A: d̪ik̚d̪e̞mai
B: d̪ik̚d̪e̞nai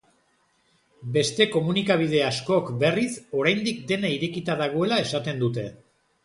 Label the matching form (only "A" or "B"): B